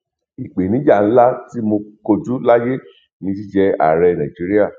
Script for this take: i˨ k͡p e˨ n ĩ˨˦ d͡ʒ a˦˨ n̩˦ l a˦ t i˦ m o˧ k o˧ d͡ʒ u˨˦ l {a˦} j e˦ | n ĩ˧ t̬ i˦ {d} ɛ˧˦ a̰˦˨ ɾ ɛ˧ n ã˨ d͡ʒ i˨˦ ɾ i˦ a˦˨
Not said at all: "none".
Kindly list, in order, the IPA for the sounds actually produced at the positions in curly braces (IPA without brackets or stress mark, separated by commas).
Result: a˦, d͡ʒ